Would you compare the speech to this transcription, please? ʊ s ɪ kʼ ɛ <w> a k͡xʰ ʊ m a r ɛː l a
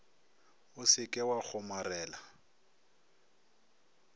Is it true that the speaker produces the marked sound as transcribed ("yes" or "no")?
yes